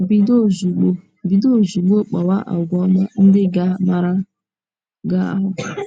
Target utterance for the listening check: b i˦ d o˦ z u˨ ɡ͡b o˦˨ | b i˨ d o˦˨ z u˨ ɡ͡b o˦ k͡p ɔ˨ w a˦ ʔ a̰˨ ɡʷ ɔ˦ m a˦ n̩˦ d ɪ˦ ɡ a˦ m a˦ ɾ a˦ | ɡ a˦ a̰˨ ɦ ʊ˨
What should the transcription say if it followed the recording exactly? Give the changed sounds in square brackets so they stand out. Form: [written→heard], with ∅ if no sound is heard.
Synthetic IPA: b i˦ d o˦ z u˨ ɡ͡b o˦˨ | b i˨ d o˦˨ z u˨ ɡ͡b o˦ k͡p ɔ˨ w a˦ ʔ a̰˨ ɡʷ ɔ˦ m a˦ n̩˦ d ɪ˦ ɡ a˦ m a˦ ɾ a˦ | ɡ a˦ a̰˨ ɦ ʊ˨